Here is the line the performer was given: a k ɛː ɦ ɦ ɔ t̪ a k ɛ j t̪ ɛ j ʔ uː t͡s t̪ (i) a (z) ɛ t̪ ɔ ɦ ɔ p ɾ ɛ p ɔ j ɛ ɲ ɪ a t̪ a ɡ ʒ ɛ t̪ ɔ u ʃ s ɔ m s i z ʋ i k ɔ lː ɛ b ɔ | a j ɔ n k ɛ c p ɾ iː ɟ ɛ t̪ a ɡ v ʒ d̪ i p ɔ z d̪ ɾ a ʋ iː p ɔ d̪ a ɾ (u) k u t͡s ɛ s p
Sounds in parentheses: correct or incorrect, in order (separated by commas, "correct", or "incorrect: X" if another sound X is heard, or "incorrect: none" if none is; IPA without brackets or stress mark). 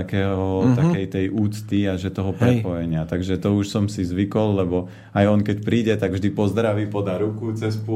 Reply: correct, incorrect: ʒ, correct